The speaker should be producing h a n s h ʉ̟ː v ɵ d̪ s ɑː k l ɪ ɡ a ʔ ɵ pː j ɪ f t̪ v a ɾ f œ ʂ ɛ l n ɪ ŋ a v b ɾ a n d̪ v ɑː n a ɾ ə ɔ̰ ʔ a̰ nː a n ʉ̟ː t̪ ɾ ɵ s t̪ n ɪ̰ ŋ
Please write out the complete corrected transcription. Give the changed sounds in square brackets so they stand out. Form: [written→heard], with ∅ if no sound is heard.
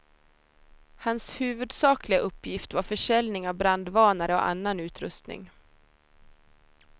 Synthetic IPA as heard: h a n s h ʉ̟ː v ɵ d̪ s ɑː k l ɪ ɡ a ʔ ɵ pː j ɪ f t̪ v a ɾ f œ ʂ ɛ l n ɪ ŋ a v b ɾ a n d̪ v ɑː n a ɾ ə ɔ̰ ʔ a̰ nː a n ʉ̟ː t̪ ɾ ɵ s t̪ n ɪ̰ ŋ